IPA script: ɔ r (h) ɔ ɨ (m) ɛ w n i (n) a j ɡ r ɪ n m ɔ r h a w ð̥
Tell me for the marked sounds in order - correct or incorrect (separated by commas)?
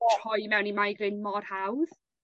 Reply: correct, correct, incorrect